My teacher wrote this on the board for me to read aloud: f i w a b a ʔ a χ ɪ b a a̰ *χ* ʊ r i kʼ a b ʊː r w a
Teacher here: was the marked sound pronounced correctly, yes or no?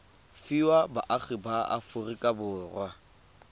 no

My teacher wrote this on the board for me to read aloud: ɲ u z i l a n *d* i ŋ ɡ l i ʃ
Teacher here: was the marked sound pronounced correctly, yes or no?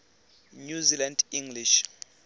yes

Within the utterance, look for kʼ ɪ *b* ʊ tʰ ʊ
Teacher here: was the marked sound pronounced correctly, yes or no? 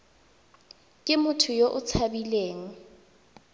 no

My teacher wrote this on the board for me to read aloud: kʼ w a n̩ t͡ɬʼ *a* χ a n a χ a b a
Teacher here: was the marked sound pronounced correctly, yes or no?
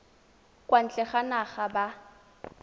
no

